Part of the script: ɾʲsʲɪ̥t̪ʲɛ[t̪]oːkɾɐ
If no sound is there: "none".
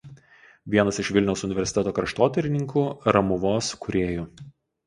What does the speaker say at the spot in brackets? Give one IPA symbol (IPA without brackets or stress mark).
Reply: t̪